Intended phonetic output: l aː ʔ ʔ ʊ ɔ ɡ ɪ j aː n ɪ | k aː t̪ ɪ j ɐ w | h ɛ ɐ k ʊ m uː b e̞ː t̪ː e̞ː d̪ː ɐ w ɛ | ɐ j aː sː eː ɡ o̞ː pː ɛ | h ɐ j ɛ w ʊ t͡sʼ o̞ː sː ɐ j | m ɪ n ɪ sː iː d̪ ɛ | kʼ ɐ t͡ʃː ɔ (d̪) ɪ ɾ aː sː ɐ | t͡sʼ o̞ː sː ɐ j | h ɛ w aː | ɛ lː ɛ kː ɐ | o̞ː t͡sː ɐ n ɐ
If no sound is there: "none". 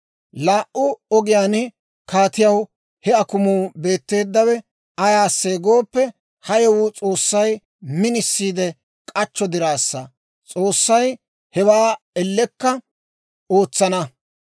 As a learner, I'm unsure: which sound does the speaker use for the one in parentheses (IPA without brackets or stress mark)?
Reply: d̪